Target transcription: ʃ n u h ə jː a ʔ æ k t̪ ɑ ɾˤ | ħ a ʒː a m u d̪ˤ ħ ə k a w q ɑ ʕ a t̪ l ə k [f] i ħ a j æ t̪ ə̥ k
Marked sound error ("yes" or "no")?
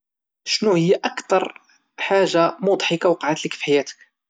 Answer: no